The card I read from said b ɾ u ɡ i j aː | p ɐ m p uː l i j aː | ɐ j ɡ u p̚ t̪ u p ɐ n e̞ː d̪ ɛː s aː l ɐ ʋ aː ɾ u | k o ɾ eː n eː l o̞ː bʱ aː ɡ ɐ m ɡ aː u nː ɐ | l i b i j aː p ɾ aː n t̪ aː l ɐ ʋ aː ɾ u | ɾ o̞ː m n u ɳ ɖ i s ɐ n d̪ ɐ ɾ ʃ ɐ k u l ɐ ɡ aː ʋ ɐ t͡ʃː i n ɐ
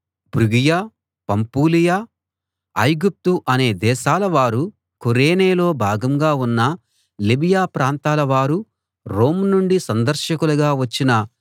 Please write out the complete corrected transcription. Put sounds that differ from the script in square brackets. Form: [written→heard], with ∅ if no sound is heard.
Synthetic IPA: b ɾ u ɡ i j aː | p ɐ m p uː l i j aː | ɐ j ɡ u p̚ t̪ u [p→ʔ] ɐ n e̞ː d̪ ɛː [s→ʃ] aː l ɐ ʋ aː ɾ u | k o ɾ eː n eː l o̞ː bʱ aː ɡ ɐ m ɡ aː u nː ɐ | l i b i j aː p ɾ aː n t̪ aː l ɐ ʋ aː ɾ u | ɾ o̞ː m n u ɳ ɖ i s ɐ n d̪ ɐ ɾ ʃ ɐ k u l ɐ ɡ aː ʋ ɐ t͡ʃː i n ɐ